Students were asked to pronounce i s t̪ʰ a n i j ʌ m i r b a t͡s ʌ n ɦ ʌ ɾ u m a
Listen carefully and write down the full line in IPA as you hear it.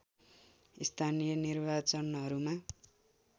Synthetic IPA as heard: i s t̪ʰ a n i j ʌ n i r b a t͡s ʌ n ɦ ʌ ɾ u m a